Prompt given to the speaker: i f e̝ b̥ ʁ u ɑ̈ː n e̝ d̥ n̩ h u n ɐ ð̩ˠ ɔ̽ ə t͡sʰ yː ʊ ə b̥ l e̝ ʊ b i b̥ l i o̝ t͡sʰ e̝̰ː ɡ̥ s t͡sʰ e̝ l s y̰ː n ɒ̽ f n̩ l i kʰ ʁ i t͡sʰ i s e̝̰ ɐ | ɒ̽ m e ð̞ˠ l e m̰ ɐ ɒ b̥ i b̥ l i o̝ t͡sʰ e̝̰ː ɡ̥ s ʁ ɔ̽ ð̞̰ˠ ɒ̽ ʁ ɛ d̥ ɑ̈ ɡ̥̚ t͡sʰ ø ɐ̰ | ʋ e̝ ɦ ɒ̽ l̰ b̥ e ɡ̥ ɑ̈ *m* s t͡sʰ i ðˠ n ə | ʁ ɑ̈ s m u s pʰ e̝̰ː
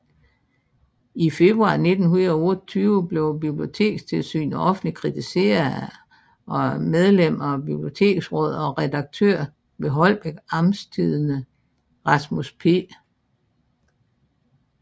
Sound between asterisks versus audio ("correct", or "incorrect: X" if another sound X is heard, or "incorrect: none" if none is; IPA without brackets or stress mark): correct